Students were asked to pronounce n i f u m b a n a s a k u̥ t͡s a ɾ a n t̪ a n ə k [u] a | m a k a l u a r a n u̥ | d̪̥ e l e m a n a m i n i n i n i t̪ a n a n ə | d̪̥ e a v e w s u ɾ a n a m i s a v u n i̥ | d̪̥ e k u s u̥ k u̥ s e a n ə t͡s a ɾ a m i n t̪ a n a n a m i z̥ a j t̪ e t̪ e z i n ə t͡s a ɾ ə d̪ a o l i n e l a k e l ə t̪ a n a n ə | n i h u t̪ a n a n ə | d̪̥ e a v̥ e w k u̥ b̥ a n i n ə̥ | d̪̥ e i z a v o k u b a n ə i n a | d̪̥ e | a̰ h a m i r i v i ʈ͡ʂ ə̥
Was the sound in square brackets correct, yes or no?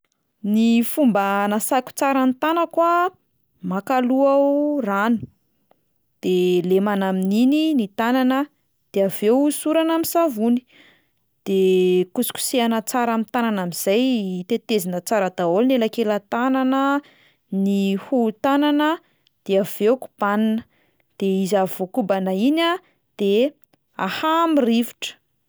no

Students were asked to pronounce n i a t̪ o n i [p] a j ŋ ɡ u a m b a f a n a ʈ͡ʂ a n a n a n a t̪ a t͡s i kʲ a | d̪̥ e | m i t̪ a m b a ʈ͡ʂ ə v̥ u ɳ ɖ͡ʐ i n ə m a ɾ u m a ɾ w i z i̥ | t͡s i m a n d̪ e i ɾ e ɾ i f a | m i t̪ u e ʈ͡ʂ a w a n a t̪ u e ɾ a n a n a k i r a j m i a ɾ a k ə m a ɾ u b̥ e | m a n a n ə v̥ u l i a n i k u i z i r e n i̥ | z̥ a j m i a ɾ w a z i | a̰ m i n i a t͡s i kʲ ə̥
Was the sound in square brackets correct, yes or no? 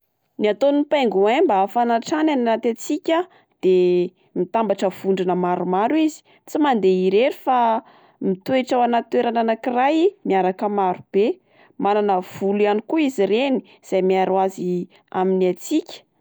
yes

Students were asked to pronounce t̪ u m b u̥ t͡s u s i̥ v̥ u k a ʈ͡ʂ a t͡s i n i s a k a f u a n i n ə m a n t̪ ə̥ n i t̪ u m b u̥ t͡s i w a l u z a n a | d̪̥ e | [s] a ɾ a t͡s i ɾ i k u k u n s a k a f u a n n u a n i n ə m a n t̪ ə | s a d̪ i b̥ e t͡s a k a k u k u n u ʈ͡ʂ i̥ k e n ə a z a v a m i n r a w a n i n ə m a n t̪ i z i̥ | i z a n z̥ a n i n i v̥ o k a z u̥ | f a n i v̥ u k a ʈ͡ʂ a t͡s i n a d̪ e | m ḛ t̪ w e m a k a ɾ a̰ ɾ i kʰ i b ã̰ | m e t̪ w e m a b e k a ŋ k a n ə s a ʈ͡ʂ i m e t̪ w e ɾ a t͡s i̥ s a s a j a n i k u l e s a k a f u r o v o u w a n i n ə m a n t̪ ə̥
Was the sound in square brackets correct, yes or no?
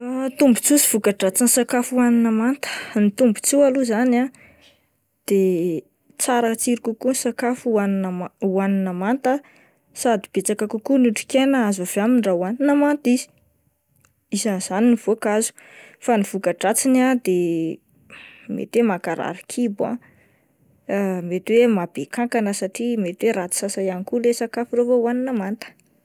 no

